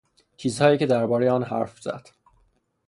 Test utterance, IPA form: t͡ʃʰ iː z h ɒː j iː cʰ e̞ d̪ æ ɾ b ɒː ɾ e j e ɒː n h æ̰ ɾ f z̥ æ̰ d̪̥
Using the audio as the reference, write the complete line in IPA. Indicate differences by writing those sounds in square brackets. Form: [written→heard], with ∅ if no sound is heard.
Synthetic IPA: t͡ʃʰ iː z h ɒː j iː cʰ e̞ d̪ æ ɾ b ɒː ɾ e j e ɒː n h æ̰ ɾ f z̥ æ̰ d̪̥